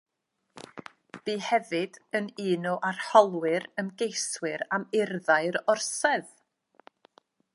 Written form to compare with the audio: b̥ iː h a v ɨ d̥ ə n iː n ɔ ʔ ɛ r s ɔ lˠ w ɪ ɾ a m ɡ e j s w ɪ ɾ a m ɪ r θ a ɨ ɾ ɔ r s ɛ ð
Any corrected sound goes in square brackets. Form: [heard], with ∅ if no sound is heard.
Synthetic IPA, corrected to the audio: b̥ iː h [ɛ] v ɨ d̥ ə n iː n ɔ ʔ [a] r [h] ɔ lˠ w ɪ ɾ [ə] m ɡ e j s w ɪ ɾ a m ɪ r [ð] a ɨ ɾ ɔ r s ɛ ð